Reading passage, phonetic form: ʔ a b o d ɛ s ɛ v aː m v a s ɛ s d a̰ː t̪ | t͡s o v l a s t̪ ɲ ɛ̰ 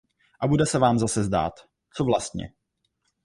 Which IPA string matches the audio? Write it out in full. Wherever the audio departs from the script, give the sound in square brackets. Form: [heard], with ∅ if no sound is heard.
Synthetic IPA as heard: ʔ a b [u] d ɛ s ɛ v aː m [z] a s ɛ [z] d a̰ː t̪ | t͡s o v l a s t̪ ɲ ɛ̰